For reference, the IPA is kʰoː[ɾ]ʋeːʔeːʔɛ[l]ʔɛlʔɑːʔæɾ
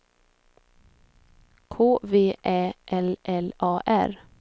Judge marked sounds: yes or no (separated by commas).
no, yes